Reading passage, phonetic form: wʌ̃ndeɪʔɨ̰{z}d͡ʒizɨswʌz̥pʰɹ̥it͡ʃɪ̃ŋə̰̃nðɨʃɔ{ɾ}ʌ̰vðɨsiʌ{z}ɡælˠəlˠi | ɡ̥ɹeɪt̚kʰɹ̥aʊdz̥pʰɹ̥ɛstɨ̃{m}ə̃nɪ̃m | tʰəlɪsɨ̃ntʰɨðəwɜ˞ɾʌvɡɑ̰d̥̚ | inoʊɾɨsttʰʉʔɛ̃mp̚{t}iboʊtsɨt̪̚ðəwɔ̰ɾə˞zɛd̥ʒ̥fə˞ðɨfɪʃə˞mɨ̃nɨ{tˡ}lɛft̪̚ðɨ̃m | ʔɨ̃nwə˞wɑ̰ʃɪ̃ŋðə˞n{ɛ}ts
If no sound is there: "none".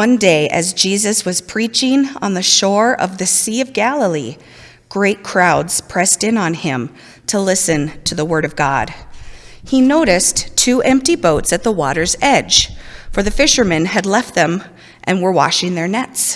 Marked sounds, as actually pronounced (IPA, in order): z, ɹ, v, n, t, dˡ, ɛ

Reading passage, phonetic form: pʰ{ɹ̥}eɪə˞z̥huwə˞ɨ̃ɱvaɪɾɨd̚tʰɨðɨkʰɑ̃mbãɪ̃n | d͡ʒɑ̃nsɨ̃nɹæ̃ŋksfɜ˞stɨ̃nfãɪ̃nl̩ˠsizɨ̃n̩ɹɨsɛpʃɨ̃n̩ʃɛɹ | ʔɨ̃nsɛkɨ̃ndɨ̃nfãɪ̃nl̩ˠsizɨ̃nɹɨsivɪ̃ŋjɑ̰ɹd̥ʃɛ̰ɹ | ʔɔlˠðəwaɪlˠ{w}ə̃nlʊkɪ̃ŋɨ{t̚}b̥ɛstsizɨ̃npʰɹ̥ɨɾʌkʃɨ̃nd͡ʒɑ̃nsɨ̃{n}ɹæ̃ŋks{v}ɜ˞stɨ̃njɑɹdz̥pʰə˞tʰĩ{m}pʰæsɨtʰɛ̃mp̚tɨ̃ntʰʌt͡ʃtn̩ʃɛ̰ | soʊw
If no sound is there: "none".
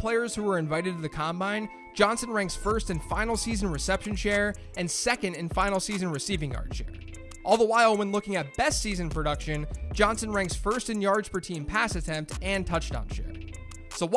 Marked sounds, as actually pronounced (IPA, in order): l̥, w, t̚, n, f, m

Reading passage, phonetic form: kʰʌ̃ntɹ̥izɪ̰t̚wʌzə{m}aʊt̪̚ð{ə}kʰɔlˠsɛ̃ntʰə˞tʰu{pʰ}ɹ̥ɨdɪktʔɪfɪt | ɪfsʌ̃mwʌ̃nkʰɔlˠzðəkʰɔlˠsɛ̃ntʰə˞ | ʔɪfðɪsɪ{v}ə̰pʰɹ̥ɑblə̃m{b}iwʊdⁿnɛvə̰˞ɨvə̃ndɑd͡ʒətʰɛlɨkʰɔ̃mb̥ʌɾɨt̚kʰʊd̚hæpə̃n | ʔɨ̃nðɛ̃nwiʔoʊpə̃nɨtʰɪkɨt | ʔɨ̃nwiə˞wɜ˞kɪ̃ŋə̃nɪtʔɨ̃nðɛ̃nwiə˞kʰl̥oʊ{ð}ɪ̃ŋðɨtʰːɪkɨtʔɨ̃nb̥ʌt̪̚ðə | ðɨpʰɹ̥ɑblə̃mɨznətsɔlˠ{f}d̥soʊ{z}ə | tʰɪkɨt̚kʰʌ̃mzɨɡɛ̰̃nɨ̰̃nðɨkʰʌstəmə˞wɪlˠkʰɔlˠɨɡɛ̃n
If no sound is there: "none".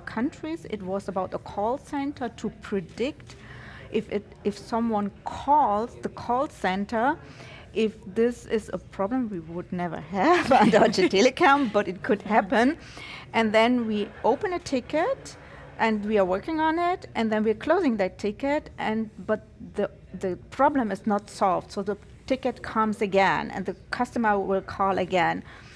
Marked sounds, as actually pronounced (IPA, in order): b, ə, pʰ, z, w, z, v, ð

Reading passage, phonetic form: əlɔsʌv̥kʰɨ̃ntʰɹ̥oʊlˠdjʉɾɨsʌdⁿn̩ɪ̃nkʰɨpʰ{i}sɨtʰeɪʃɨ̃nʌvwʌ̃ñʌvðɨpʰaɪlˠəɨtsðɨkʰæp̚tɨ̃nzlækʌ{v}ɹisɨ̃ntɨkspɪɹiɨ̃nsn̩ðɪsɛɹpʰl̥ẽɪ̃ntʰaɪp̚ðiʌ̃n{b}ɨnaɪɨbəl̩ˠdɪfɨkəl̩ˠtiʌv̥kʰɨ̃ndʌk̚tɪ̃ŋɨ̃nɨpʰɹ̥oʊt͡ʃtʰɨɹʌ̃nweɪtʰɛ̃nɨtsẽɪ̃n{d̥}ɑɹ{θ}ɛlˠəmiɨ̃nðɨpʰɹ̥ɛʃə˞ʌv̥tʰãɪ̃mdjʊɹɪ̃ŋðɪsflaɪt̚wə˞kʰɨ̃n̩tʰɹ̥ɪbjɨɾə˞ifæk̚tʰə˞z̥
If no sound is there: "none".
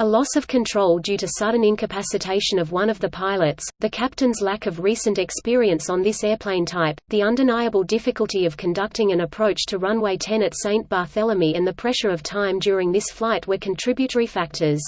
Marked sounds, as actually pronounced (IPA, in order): æ, v, d, b̥, θ

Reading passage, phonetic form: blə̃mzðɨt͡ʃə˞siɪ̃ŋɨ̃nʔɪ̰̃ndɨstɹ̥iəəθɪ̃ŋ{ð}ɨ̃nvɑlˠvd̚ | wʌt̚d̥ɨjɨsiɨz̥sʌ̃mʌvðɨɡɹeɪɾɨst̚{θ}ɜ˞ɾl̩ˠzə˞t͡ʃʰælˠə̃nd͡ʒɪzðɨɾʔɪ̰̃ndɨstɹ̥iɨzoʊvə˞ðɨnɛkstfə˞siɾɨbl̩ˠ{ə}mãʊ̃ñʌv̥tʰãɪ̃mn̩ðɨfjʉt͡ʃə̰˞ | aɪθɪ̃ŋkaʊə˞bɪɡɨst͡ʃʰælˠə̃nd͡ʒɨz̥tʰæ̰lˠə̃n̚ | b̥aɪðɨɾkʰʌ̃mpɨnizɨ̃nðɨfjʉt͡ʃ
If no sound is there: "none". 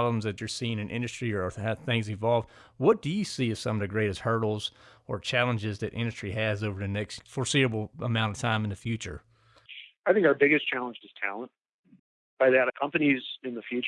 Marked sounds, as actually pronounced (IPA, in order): z, h, ə

